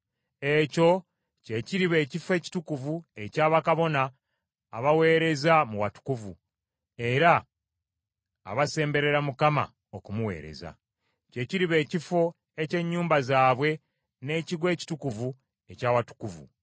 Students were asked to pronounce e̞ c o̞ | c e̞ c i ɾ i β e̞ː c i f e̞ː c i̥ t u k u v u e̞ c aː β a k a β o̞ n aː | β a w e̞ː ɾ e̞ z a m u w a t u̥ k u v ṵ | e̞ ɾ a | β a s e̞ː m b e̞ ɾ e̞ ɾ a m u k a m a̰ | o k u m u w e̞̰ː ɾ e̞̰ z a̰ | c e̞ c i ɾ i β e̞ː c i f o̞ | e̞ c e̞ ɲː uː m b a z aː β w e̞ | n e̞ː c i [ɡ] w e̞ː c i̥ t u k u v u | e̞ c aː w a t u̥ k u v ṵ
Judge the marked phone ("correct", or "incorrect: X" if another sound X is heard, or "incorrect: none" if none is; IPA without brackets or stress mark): correct